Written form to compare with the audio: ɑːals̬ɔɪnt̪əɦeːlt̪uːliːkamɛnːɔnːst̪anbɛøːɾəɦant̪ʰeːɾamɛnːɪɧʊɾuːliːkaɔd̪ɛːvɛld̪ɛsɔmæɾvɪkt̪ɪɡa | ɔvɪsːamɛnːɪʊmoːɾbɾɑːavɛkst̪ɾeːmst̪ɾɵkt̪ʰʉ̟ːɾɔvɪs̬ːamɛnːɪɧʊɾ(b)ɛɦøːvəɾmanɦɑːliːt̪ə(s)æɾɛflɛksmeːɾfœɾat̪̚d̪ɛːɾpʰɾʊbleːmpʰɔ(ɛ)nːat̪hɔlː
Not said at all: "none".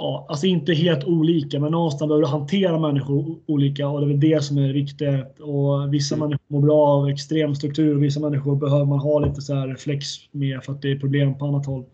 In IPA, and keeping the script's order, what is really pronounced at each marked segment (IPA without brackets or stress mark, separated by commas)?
b, s, a